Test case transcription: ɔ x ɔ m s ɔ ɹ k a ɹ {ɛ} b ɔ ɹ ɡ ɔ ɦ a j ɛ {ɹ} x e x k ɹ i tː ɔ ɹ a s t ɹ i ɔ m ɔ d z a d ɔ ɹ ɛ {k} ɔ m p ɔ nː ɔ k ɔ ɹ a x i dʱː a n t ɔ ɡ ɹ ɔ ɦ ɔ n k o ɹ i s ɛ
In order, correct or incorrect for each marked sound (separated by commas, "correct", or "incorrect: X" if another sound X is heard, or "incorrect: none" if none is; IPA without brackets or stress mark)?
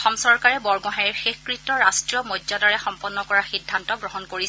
correct, correct, incorrect: x